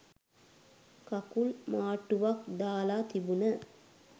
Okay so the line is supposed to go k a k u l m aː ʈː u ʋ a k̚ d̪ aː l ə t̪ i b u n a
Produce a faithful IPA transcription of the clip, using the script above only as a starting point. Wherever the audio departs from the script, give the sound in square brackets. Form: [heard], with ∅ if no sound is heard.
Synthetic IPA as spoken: k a k u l m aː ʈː u ʋ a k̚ d̪ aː l [a] t̪ i b u n [ə]

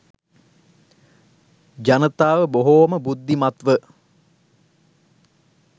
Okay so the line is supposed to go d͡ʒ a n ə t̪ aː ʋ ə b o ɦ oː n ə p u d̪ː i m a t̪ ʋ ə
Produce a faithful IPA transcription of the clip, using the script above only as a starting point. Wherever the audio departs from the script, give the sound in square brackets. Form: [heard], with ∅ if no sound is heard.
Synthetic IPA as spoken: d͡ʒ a n ə t̪ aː ʋ ə b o ɦ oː [m] ə [b] u d̪ː i m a t̪ ʋ ə

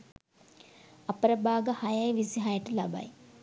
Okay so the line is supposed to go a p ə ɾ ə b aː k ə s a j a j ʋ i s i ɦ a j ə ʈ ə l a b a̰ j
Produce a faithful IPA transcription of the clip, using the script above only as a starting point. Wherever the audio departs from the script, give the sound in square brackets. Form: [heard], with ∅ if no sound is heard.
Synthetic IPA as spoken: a p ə ɾ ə b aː [ɡ] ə [h] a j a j ʋ i s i ɦ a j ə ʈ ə l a b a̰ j

